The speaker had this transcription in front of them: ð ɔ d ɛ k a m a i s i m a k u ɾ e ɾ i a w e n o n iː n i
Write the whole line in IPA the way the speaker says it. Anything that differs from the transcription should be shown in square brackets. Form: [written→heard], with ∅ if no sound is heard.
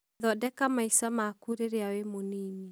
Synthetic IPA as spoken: ð ɔ d ɛ k a m a i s [i→a] m a k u ɾ e ɾ [i→e] a w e [n→m] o n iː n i